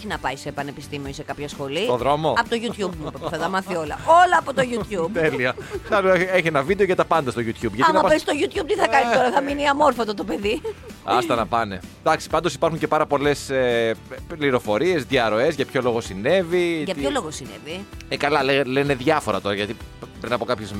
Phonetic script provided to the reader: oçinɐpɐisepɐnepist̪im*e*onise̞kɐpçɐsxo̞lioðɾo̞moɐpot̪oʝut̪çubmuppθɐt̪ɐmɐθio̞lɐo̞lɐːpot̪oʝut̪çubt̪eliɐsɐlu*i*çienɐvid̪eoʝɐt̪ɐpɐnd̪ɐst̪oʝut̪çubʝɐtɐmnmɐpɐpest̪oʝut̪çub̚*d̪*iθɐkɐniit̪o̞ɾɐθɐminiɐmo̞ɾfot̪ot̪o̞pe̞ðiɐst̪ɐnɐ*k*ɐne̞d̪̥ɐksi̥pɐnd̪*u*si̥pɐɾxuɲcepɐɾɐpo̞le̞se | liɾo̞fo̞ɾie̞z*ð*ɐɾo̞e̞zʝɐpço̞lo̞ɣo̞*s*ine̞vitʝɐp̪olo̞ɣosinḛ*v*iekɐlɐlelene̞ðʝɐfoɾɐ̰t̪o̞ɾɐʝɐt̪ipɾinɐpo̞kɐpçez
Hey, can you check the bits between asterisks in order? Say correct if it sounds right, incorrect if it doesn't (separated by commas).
incorrect, incorrect, incorrect, incorrect, incorrect, correct, correct, correct